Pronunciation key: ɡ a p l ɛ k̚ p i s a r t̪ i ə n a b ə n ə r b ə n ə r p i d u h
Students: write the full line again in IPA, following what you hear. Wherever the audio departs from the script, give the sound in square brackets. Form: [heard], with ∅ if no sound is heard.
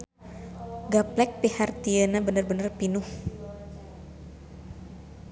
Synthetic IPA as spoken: ɡ a p l ɛ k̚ p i [h] a r t̪ i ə n a b ə n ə r b ə n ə r p i [n] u h

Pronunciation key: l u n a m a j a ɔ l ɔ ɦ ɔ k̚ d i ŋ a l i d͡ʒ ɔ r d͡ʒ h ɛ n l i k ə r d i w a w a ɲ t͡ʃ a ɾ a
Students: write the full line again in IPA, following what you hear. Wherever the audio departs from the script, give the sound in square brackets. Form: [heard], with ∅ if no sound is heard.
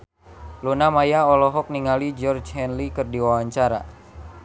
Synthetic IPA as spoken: l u n a m a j a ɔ l ɔ ɦ ɔ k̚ [n] i ŋ a l i d͡ʒ ɔ r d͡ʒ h ɛ n l i k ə r d i w a w a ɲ t͡ʃ a ɾ a

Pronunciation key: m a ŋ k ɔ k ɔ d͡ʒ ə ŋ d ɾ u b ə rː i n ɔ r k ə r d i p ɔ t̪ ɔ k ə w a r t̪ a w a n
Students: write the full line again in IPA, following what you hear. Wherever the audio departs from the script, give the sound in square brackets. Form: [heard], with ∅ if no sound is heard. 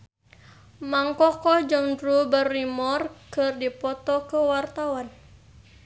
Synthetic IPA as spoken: m a ŋ k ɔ k ɔ d͡ʒ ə ŋ d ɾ u b ə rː i [m] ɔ r k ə r d i p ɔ t̪ ɔ k ə w a r t̪ a w a n

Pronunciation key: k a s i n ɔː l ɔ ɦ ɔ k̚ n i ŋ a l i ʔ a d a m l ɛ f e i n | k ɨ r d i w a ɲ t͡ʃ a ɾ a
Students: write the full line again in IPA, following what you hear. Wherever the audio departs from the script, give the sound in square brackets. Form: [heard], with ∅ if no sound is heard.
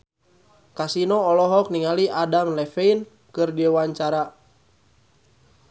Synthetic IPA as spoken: k a s i n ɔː l ɔ ɦ ɔ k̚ n i ŋ a l i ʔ a d a m l ɛ f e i n | k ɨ r d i w a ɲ t͡ʃ a ɾ a

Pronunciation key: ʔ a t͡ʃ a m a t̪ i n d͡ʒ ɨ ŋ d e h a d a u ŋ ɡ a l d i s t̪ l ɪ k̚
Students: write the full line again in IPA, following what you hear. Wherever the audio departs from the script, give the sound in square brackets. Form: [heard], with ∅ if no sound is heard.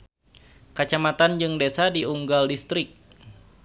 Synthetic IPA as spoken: [k] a t͡ʃ a m a t̪ [a] n d͡ʒ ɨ ŋ d e [s] a d [i] u ŋ ɡ a l d i s t̪ [ɾ] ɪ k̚

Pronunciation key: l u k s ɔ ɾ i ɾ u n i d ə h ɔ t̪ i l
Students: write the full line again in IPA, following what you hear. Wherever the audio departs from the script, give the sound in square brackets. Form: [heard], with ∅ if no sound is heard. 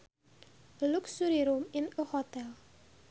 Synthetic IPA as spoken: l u k s [u] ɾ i ɾ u [m] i [n] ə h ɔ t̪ [ɛ] l

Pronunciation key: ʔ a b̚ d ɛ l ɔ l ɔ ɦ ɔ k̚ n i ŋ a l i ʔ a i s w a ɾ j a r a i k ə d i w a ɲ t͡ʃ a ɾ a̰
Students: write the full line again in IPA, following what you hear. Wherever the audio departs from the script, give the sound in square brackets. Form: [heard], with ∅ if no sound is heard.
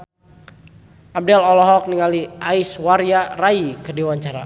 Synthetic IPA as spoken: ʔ a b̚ d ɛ l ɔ l ɔ ɦ ɔ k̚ n i ŋ a l i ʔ a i s w a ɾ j a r a i k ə d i w a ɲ t͡ʃ a ɾ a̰

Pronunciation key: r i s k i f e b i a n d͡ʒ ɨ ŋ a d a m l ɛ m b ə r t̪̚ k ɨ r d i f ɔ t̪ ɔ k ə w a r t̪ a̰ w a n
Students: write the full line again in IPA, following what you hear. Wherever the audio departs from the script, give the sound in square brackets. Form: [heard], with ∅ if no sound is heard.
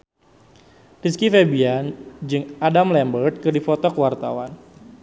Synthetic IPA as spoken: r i s k i f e b i a n d͡ʒ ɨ ŋ a d a m l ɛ m b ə r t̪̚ k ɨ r d i f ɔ t̪ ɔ k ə w a r t̪ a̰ w a n

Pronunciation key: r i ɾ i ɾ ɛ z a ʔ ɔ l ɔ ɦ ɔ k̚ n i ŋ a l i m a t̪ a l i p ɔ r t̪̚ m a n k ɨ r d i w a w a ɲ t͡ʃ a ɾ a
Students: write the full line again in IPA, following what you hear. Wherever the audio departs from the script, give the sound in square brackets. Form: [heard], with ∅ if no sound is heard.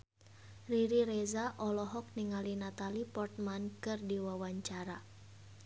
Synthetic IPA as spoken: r i ɾ i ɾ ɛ z a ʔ ɔ l ɔ ɦ ɔ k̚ n i ŋ a l i [n] a t̪ a l i p ɔ r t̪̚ m a n k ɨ r d i w a w a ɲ t͡ʃ a ɾ a

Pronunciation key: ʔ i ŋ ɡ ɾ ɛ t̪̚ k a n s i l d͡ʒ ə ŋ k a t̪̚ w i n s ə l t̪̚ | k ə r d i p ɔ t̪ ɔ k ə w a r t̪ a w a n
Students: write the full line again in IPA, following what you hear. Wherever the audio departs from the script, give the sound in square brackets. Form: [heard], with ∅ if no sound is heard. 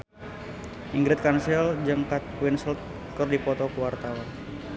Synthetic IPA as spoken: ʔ i ŋ ɡ ɾ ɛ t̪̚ k a n s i l d͡ʒ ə ŋ k a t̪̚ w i n s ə l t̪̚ | k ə r d i p ɔ t̪ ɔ k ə w a r t̪ a w a n

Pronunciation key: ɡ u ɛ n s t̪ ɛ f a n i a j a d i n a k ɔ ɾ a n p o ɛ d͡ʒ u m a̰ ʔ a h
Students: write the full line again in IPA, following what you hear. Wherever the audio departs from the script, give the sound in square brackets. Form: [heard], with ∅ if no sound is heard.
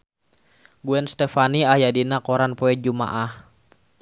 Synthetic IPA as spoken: ɡ u ɛ n s t̪ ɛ f a n i a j a d i n a k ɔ ɾ a n p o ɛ d͡ʒ u m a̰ ʔ a h

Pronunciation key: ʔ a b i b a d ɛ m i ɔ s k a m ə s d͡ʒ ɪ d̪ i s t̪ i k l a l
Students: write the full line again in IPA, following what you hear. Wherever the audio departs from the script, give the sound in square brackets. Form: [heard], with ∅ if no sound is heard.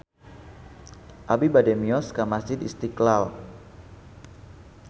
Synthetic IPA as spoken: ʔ a b i b a d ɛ m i ɔ s k a m [a] s d͡ʒ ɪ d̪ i s t̪ i k l a l

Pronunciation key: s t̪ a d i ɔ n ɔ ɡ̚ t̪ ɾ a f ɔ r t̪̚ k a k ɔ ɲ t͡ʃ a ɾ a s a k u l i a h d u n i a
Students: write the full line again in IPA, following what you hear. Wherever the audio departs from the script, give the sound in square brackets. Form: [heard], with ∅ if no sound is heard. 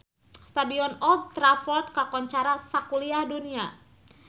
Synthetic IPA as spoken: s t̪ a d i ɔ n ɔ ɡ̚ t̪ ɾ a f ɔ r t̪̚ k a k ɔ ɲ t͡ʃ a ɾ a s a k u l i a h d u n i a

